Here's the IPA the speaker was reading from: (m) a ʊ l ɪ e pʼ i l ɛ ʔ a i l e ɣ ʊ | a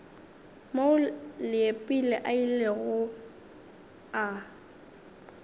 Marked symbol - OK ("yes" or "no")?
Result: yes